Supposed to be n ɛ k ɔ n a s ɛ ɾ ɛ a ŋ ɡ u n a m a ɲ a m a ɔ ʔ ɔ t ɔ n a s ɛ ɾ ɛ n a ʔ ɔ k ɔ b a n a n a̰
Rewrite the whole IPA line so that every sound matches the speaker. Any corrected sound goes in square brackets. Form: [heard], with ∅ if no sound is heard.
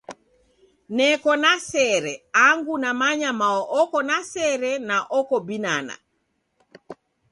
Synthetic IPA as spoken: n ɛ k ɔ n a s ɛ ɾ ɛ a ŋ ɡ u n a m a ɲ a m a ɔ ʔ ɔ [k] ɔ n a s ɛ ɾ ɛ n a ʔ ɔ k ɔ b [i] n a n a̰

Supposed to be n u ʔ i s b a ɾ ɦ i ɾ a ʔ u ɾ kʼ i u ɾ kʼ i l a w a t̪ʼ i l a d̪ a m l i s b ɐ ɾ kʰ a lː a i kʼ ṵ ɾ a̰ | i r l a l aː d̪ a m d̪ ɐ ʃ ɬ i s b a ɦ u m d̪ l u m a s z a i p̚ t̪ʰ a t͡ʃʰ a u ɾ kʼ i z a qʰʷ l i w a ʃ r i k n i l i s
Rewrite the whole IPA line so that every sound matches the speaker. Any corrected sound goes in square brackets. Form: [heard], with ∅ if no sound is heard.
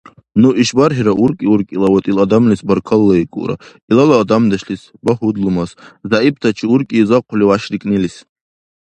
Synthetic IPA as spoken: n u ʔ i [ʃ] b a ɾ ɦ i ɾ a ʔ u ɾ kʼ i u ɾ kʼ i l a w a t̪ʼ i l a d̪ a m l i s b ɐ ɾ kʰ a lː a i kʼ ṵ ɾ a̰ | i [∅] l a l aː d̪ a m d̪ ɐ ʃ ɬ i s b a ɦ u [∅] d̪ l u m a s z a i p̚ t̪ʰ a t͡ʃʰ [i] u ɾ kʼ i z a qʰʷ l i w a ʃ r i [kʼ] n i l i s

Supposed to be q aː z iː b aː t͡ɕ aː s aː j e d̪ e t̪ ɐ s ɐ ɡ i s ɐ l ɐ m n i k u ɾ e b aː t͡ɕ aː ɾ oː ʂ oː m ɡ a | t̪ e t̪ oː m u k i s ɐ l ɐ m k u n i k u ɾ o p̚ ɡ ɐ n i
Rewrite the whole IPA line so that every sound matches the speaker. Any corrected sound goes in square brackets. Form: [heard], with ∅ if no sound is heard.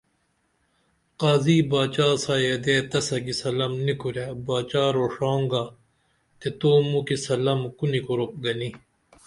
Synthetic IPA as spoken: q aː z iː b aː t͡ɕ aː s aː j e d̪ e t̪ ɐ s ɐ ɡ i s ɐ l ɐ m n i k u ɾ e b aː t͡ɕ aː ɾ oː ʂ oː [ŋ] ɡ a | t̪ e t̪ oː m u k i s ɐ l ɐ m k u n i k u ɾ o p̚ ɡ ɐ n i

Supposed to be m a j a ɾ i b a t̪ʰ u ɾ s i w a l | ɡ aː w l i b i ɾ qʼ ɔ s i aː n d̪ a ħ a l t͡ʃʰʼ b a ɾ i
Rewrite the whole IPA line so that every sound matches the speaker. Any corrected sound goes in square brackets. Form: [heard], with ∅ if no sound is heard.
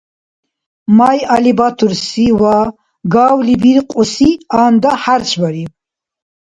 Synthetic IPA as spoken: m a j a [l] i b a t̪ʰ u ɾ s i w a [∅] | ɡ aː w l i b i ɾ qʼ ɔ s i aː n d̪ a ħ a [ɾ] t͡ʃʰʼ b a ɾ i

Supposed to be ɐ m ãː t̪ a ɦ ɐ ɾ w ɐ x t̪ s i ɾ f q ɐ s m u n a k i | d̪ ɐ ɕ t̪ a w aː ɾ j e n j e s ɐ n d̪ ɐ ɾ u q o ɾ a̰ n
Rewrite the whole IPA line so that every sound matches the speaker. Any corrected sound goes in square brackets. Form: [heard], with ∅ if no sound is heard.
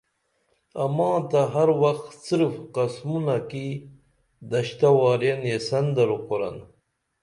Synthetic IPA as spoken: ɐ m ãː t̪ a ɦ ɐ ɾ w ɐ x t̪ s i ɾ f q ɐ s m u n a k i | d̪ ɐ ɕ t̪ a w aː ɾ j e n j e s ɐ n d̪ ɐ ɾ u q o ɾ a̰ n

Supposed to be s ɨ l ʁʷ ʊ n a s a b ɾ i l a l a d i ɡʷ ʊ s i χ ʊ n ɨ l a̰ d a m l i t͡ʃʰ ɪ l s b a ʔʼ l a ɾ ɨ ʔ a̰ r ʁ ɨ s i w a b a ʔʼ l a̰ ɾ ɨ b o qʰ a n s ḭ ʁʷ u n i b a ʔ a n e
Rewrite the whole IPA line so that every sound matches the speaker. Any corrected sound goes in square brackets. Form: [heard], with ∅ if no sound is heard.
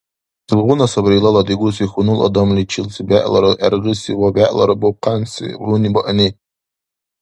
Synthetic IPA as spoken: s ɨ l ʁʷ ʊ n a s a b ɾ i l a l a d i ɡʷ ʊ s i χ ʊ n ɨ l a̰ d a m l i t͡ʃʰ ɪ l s b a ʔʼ l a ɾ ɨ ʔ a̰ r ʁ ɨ s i w a b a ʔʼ l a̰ ɾ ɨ b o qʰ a n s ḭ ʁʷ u n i b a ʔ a n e

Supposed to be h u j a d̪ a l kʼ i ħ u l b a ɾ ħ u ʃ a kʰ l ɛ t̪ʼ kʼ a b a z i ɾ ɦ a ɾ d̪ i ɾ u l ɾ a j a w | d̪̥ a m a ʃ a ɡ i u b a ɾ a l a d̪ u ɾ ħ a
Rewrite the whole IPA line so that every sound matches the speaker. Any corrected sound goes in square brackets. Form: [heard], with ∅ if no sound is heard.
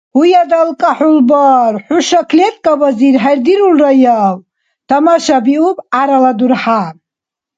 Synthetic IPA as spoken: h u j a d̪ a l kʼ [a] ħ u l b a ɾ ħ u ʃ a kʰ l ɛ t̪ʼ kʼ a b a z i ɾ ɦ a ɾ d̪ i ɾ u l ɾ a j a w | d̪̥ a m a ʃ a [b] i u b a ɾ a l a d̪ u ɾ ħ a

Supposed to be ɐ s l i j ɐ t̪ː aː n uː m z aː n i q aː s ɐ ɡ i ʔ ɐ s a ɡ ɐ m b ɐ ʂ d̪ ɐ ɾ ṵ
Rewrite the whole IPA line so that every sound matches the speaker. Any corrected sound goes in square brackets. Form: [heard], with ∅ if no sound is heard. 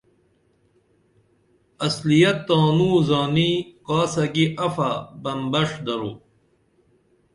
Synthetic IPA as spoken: ɐ s l i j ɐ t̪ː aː n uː [∅] z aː n i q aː s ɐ ɡ i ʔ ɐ [f] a [b] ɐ m b ɐ ʂ d̪ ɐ ɾ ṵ

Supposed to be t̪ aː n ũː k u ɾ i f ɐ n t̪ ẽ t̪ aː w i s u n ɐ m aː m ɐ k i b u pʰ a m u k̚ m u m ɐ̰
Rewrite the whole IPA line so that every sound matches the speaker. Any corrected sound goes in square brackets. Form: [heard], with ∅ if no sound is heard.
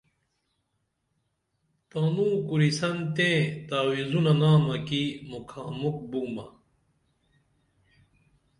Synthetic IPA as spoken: t̪ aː n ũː k u ɾ i [s] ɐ n t̪ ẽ t̪ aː w i [z] u n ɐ [n] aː m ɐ k i [m] u [kʰ] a m u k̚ [b] u m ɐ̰

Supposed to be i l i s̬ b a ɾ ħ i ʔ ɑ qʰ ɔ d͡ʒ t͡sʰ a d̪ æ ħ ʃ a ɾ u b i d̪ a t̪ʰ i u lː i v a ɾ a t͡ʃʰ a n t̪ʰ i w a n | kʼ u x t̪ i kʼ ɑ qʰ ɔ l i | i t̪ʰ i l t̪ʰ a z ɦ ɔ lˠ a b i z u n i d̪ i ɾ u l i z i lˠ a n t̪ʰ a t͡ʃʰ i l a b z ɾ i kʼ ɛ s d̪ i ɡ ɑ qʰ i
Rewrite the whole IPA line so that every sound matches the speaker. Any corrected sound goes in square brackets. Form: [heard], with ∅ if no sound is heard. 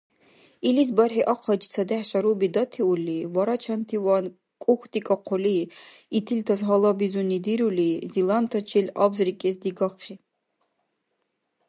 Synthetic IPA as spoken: i l i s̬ b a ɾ ħ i ʔ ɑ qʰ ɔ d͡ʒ t͡sʰ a d̪ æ ħ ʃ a ɾ u b i d̪ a t̪ʰ i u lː i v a ɾ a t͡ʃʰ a n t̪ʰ i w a n | kʼ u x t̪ i kʼ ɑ qʰ ɔ l i | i t̪ʰ i l t̪ʰ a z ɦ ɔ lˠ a b i z u n i d̪ i ɾ u l i z i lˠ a n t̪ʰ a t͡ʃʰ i l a b z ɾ i kʼ ɛ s d̪ i ɡ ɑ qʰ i

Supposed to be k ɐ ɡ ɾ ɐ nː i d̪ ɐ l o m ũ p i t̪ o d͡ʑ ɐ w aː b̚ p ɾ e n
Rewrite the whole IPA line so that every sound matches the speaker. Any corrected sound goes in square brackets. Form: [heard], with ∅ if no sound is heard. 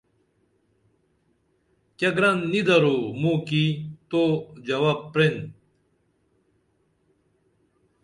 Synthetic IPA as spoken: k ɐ ɡ ɾ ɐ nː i d̪ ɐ [ɾ] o m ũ [k] i t̪ o d͡ʑ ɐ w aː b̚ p ɾ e n

